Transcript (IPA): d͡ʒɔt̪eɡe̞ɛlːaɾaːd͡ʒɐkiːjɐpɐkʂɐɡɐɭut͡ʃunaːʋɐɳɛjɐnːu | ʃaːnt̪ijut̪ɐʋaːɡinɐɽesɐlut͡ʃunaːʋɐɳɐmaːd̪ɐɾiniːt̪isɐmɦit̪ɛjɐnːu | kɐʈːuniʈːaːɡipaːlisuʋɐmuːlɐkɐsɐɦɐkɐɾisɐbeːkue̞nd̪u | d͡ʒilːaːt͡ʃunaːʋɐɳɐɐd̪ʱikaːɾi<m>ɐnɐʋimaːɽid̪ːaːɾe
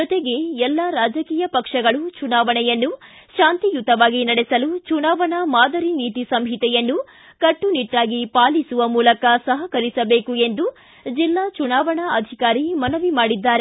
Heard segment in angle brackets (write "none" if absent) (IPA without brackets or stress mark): m